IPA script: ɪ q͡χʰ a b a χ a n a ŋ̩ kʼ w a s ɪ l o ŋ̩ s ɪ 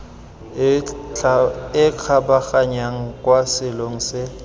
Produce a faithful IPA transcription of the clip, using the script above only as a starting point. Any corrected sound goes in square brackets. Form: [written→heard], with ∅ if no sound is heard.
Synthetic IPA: ɪ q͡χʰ a b a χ a [n→ɲ] a ŋ̩ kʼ w a s ɪ l o ŋ̩ s ɪ